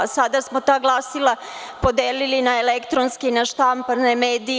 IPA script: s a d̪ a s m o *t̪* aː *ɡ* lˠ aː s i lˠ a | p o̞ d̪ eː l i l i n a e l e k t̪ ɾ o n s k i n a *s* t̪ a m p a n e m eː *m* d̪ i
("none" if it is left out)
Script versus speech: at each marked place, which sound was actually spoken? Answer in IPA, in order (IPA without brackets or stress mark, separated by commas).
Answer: t̪, ɡ, ʃ, none